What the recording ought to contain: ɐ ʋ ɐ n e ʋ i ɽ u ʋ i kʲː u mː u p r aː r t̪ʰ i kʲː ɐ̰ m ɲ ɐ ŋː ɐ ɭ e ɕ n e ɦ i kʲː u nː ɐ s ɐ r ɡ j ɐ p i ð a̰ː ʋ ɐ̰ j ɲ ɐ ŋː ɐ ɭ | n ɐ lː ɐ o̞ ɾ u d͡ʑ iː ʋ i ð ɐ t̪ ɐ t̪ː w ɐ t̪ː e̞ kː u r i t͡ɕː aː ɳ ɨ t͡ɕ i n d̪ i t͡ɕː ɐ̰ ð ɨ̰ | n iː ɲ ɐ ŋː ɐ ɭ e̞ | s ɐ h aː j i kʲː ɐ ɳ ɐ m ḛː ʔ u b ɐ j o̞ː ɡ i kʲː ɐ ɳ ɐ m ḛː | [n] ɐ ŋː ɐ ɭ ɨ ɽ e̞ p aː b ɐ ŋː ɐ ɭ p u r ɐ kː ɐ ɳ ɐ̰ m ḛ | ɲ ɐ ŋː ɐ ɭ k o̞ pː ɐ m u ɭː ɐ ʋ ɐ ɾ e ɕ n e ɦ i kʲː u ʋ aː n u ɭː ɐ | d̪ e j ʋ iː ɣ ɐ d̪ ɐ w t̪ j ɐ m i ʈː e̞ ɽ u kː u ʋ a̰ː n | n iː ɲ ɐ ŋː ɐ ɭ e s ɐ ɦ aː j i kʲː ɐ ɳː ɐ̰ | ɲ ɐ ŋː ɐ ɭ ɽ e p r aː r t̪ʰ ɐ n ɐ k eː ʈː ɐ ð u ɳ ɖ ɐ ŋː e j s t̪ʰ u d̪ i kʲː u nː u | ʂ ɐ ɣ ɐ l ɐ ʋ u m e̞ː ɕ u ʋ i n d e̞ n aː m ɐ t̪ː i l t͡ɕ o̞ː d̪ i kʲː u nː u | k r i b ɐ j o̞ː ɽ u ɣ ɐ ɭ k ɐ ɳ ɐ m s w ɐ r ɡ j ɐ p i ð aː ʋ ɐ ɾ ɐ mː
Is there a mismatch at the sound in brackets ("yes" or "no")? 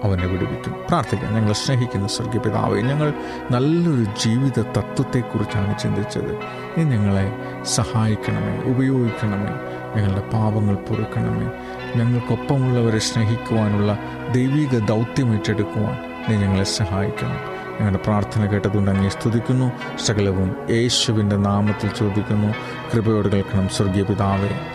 yes